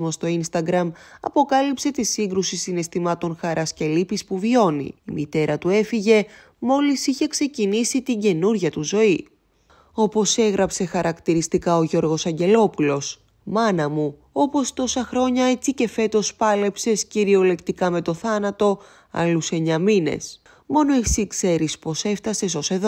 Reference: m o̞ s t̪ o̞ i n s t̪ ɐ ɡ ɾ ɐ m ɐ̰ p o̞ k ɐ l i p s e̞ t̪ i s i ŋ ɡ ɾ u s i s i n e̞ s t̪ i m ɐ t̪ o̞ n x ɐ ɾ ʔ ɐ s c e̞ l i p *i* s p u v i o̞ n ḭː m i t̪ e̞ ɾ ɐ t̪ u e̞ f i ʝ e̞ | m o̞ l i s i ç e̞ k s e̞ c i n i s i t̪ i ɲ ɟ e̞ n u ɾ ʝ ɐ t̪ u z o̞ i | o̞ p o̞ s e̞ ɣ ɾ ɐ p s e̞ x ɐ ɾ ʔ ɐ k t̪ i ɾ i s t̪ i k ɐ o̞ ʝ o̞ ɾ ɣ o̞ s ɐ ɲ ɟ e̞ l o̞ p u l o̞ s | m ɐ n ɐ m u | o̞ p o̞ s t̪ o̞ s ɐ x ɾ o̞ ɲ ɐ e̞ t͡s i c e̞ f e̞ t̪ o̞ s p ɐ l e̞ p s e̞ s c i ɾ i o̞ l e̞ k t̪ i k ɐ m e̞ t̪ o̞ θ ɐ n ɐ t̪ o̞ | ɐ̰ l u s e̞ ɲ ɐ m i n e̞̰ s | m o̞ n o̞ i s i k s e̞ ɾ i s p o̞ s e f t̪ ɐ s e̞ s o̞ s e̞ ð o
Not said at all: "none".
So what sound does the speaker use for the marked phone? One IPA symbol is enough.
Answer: i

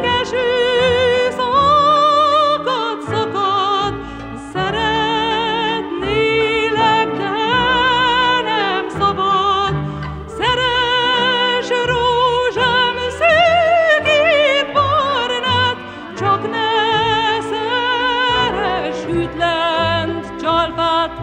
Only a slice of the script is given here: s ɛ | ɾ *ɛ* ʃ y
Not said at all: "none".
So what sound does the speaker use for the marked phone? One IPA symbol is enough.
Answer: ɛ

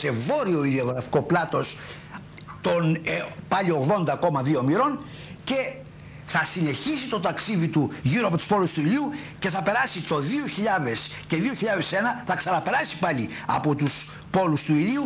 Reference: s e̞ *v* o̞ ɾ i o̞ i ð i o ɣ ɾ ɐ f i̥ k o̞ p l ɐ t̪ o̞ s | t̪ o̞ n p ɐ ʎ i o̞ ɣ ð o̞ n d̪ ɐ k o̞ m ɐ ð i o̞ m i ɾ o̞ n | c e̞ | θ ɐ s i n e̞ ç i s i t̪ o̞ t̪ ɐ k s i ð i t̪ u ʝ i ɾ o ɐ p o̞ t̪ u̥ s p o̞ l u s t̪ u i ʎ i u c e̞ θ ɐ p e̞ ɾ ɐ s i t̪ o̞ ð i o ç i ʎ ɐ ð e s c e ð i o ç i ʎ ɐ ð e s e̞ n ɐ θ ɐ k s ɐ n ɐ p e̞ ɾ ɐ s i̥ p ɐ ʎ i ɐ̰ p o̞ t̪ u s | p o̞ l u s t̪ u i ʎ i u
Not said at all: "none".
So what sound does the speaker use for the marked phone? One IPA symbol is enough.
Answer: v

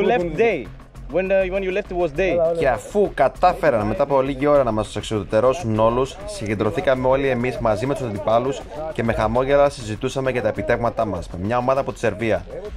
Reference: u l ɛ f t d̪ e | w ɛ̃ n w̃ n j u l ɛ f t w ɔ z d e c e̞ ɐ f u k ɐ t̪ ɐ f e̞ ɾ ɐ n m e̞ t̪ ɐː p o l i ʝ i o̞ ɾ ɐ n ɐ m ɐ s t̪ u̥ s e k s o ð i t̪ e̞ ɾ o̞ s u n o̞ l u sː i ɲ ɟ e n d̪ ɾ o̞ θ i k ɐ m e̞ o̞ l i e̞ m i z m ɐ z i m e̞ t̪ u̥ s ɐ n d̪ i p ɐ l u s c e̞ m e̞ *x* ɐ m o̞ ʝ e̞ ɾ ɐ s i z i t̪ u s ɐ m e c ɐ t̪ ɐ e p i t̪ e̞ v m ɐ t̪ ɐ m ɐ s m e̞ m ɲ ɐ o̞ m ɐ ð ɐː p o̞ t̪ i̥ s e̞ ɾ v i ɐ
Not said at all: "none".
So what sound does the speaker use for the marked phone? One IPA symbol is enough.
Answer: x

